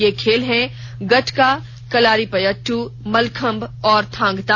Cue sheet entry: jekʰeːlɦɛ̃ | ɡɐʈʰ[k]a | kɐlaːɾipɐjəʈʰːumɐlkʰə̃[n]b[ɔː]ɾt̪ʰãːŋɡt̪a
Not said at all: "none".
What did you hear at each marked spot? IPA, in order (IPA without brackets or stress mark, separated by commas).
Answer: k, m, ɔː